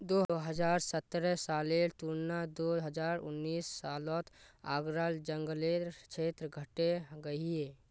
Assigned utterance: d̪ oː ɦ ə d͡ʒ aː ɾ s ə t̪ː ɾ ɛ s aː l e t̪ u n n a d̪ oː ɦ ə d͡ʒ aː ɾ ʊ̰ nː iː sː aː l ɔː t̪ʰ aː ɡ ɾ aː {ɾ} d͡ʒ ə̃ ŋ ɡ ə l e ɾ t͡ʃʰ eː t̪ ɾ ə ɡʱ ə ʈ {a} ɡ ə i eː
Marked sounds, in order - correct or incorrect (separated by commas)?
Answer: incorrect, incorrect